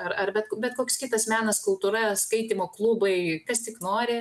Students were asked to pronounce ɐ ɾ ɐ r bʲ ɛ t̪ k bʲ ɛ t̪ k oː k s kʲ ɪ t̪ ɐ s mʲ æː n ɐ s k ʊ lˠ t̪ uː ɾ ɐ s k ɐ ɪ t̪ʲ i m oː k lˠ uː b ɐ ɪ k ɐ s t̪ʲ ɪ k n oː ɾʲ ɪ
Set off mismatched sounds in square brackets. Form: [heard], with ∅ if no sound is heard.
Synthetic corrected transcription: ɐ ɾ ɐ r bʲ ɛ t̪ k bʲ ɛ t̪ k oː k s kʲ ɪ t̪ ɐ s mʲ æː n ɐ s k ʊ lˠ t̪ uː ɾ ɐ s k ɐ ɪ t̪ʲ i m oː k lˠ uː b ɐ ɪ k ɐ s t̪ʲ ɪ k n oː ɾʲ ɪ